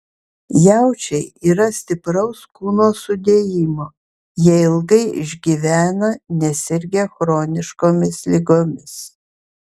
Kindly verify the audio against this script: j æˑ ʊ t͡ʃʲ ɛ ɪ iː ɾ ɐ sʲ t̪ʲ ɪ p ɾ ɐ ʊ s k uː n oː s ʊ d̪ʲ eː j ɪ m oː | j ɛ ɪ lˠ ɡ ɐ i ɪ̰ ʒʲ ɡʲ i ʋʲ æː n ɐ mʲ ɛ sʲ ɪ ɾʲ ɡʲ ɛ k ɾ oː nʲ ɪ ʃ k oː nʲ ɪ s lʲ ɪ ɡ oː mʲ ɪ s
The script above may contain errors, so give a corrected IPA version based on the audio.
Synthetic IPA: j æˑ ʊ t͡ʃʲ ɛ ɪ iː ɾ ɐ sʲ t̪ʲ ɪ p ɾ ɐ ʊ s k uː n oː s ʊ d̪ʲ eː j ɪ m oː | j ɛ ɪ lˠ ɡ ɐ ɪ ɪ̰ ʒʲ ɡʲ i ʋʲ æː n ɐ nʲ ɛ sʲ ɪ ɾʲ ɡʲ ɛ x ɾ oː nʲ ɪ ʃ k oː mʲ ɪ s lʲ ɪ ɡ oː mʲ ɪ s